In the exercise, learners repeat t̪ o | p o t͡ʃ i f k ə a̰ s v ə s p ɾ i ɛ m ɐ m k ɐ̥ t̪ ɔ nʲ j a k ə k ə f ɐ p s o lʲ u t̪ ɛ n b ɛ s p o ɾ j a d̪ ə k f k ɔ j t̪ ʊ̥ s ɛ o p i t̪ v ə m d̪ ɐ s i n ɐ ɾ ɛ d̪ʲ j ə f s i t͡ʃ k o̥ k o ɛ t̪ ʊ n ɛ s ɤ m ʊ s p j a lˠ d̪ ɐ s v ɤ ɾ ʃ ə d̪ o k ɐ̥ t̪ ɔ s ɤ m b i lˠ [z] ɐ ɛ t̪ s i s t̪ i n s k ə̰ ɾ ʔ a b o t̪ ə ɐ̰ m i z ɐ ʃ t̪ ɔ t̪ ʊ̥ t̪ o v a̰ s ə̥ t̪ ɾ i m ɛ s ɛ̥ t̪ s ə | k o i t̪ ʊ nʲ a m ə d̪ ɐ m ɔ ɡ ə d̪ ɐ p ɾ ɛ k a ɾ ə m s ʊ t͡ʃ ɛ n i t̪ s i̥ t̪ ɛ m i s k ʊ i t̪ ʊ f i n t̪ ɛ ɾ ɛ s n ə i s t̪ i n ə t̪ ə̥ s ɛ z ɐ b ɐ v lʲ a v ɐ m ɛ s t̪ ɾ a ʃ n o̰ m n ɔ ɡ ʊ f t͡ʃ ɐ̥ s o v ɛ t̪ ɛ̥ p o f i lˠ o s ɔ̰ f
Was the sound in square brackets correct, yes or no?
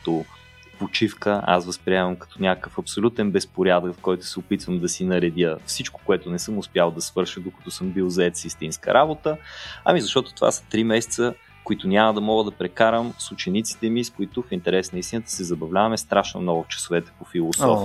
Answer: yes